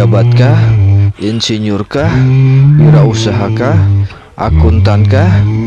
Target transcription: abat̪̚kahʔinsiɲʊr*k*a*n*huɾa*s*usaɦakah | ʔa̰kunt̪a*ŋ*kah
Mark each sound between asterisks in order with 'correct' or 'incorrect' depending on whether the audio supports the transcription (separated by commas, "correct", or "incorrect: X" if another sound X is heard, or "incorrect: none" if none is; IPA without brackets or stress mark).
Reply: correct, incorrect: none, incorrect: none, incorrect: n